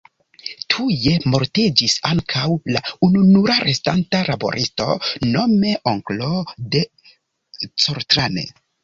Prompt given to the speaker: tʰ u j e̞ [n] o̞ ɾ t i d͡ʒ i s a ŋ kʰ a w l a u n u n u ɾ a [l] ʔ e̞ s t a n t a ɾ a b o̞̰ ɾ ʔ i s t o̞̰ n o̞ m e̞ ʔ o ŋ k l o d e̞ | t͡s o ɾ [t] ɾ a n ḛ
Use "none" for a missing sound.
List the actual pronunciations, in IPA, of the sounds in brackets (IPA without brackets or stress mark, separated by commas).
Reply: m, ɾ, t